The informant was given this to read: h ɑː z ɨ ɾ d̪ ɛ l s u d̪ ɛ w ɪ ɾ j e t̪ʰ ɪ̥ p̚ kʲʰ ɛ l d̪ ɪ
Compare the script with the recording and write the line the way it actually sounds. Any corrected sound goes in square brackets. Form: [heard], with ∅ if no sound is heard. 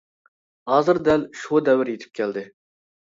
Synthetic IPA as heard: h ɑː z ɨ ɾ d̪ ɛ l [ʃ] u d̪ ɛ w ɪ ɾ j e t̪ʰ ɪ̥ p̚ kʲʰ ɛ l d̪ ɪ